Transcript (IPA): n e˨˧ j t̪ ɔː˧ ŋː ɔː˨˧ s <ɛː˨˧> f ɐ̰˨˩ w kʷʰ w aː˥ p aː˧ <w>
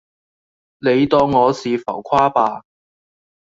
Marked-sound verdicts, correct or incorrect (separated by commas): incorrect, incorrect